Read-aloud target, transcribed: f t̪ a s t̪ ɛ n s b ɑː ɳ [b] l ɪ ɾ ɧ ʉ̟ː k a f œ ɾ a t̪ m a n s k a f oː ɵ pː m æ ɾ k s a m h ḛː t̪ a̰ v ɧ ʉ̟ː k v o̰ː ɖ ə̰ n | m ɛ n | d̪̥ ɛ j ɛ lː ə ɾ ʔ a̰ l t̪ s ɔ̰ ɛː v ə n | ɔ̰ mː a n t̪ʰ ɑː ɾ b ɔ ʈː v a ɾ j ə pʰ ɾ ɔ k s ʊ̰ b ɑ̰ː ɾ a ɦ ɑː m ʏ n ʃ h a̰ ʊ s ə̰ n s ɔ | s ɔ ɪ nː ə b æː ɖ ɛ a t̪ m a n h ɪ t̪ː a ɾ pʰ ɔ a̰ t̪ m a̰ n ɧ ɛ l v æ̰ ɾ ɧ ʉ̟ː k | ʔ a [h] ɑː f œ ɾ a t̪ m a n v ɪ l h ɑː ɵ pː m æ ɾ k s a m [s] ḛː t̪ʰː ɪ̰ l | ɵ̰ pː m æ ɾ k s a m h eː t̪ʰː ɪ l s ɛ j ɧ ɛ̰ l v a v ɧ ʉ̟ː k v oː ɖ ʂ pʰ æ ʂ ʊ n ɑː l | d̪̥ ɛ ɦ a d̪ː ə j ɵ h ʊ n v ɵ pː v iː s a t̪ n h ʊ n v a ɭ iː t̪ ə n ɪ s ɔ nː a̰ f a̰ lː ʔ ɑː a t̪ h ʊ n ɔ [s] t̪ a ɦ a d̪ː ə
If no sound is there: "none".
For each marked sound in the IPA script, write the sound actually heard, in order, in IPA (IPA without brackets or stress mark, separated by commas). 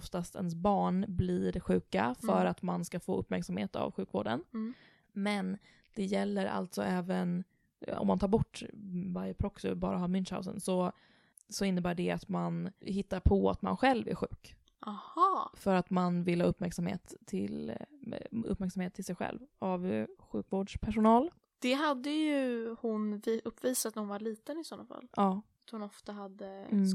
b, h, h, f